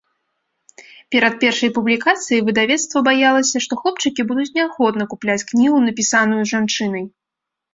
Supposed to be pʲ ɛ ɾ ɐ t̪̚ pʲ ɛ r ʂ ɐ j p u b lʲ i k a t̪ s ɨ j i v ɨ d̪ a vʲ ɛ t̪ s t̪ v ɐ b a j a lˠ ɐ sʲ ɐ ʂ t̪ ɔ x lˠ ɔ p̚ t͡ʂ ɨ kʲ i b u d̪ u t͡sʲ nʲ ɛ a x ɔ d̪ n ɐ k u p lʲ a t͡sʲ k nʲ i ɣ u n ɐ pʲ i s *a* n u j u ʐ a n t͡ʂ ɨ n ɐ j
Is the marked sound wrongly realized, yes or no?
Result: no